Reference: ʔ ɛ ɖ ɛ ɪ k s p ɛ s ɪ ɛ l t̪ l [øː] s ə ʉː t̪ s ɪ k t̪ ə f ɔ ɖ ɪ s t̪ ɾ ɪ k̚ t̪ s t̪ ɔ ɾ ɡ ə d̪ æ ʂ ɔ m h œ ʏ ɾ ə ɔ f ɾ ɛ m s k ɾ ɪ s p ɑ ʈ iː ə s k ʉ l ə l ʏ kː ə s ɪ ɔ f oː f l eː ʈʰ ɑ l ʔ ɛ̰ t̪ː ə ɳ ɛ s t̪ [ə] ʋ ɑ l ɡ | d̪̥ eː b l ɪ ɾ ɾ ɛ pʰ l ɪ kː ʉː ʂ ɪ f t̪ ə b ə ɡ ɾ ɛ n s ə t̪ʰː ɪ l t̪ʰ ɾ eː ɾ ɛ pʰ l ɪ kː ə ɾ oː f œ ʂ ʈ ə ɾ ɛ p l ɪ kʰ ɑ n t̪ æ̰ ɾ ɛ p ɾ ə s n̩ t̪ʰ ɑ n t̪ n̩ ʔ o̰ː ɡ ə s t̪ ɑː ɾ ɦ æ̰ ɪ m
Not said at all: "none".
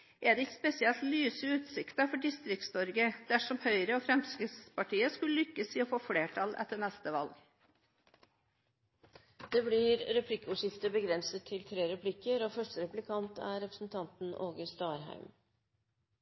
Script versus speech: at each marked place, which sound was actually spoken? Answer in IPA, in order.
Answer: yː, ə

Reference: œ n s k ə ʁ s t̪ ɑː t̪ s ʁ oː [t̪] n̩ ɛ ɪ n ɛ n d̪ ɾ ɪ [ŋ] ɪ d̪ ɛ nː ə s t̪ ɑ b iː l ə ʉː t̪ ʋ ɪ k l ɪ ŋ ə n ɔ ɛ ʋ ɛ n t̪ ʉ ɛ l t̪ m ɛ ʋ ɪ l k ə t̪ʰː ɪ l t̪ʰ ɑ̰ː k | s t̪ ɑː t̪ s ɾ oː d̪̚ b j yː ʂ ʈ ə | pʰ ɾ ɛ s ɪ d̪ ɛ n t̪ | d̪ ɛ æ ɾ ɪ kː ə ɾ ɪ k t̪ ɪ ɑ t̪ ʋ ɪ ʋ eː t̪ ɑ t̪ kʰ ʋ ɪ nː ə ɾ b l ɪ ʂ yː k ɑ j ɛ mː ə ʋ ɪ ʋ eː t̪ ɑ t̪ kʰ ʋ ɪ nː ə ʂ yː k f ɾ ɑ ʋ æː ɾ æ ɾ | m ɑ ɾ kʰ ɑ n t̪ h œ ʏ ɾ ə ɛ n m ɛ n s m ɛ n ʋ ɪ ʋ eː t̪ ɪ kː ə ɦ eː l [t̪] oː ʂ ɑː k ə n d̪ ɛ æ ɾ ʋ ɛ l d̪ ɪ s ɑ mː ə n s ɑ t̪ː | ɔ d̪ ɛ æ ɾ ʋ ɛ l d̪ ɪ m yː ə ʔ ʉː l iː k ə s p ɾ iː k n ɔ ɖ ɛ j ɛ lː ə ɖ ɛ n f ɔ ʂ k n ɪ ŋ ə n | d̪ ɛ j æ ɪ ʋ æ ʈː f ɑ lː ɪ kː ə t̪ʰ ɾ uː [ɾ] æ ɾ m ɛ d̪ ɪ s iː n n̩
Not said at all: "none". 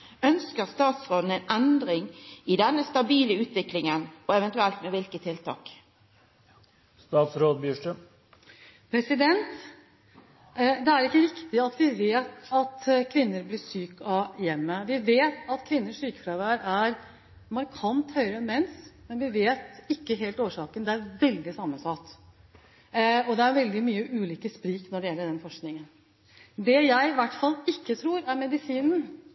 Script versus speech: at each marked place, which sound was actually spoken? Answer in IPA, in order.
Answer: d̪, ŋ, t̪, ɾ

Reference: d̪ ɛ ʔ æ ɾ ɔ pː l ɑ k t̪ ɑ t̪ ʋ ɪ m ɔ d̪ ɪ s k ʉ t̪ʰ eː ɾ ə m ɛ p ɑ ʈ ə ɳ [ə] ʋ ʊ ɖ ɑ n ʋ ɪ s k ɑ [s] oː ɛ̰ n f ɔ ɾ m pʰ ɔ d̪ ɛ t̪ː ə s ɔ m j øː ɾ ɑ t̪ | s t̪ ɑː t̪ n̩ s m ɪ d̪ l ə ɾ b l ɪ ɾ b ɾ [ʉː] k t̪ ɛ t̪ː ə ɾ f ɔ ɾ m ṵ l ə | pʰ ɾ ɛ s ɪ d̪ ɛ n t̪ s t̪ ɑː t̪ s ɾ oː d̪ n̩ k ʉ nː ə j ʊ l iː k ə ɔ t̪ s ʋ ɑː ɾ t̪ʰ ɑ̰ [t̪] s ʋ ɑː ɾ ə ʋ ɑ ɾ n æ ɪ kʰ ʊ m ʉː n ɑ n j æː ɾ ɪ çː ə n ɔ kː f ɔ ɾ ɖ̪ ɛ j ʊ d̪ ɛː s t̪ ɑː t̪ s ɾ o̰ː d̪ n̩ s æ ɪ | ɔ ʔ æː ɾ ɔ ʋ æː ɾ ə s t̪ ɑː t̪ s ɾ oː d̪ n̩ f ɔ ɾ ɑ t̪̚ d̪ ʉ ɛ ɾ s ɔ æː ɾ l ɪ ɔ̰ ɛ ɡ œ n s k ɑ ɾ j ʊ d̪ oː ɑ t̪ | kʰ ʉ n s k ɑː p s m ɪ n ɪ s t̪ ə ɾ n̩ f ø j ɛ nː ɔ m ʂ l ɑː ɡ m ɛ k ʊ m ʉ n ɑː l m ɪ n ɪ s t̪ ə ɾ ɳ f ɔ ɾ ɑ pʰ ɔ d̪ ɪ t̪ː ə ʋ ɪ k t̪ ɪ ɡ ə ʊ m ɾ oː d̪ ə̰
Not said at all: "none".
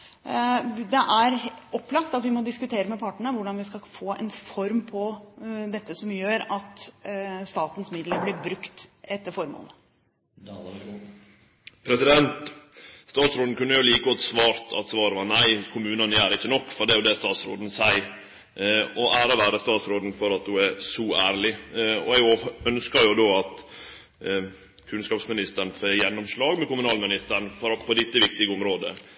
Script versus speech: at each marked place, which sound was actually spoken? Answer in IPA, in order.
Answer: ə, f, ʉ, t̪

